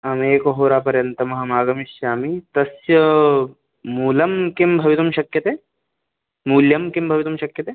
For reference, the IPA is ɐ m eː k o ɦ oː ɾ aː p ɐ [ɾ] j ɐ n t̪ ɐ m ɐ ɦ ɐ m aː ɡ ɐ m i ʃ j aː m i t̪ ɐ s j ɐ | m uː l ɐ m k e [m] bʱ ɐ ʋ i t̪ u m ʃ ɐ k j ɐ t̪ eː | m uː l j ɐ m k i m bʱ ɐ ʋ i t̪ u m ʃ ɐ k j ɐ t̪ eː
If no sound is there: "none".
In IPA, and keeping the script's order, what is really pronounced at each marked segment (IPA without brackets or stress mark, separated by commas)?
ɾ, m